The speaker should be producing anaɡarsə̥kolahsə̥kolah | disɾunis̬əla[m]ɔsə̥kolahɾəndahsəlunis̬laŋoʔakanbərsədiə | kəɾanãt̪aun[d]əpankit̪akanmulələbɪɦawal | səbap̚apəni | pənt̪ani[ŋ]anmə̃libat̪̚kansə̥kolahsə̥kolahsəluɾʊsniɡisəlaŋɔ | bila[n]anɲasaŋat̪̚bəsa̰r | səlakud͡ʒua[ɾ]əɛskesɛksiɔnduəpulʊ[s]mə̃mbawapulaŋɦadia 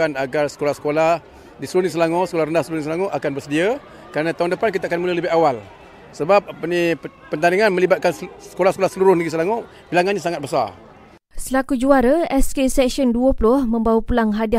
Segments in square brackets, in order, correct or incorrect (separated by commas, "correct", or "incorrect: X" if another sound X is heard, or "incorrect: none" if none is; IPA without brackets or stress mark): incorrect: ŋ, correct, correct, incorrect: ŋ, correct, incorrect: h